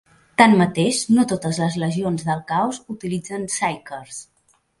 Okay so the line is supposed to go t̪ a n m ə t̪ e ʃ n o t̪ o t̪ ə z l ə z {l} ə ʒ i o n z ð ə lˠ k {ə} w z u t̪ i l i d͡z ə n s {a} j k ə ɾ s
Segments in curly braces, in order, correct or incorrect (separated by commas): correct, incorrect, correct